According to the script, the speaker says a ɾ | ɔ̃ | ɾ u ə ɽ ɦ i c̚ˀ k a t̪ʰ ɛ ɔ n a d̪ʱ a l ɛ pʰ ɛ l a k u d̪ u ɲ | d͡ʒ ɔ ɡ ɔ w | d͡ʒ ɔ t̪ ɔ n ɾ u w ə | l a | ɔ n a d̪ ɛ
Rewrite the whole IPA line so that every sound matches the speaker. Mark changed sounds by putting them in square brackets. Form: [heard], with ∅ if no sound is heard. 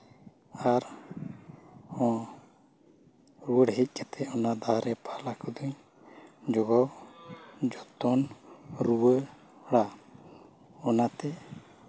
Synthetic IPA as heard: a ɾ | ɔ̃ | ɾ u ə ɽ ɦ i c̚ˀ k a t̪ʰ ɛ ɔ n a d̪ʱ a [ɾ] ɛ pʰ [a] l a k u d̪ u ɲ | d͡ʒ ɔ ɡ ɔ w | d͡ʒ ɔ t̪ ɔ n ɾ u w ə | [ɽ] a | ɔ n a [t̪] ɛ